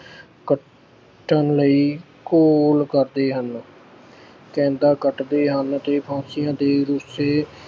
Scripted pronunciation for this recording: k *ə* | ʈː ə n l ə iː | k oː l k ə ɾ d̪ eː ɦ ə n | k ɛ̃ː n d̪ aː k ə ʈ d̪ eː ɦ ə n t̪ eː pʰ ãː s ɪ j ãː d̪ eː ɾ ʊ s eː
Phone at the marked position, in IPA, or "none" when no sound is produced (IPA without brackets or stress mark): ə